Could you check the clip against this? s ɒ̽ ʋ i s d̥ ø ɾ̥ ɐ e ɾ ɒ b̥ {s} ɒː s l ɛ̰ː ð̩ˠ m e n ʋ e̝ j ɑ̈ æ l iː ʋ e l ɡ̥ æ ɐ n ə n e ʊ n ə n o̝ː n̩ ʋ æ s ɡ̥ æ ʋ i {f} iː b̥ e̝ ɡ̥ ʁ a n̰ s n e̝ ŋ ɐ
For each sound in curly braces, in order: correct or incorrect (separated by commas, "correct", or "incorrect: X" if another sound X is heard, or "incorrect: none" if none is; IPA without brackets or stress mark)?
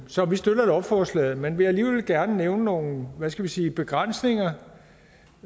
incorrect: f, incorrect: s